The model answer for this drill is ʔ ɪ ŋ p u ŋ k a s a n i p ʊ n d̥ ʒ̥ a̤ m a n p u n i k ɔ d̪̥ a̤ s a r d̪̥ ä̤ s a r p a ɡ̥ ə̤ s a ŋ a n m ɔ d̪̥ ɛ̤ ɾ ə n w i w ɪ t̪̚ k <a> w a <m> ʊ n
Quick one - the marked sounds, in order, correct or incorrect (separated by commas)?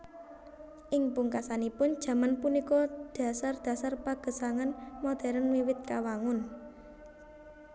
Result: correct, incorrect